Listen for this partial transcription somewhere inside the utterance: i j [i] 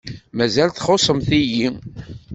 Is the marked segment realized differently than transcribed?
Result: no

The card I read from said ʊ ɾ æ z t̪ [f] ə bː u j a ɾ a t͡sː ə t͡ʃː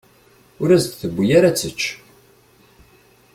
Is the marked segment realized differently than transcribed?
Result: yes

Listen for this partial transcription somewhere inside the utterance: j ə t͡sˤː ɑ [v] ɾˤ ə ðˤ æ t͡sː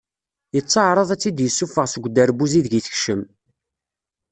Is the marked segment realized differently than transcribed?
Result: yes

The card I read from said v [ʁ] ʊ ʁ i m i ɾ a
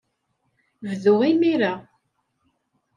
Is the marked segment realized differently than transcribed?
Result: yes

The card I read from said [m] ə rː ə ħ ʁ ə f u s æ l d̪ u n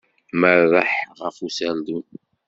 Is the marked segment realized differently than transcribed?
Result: no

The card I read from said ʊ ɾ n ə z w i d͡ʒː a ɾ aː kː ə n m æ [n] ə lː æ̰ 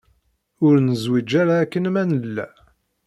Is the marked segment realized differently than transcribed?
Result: no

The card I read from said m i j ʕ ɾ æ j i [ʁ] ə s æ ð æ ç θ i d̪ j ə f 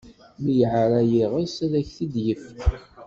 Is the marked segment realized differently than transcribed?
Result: no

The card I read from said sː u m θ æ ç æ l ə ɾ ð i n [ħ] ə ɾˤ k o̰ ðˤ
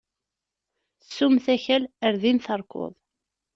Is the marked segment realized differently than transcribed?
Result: yes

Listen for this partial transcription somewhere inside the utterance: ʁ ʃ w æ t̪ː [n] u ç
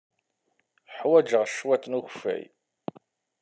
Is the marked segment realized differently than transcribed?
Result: no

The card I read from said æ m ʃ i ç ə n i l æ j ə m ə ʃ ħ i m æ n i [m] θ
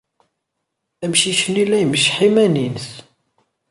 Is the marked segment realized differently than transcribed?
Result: yes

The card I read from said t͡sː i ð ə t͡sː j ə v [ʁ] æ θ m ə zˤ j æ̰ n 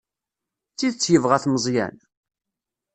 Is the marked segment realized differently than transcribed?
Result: no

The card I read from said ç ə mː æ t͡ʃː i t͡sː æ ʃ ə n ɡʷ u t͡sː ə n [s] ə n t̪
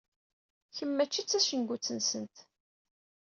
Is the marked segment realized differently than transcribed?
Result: no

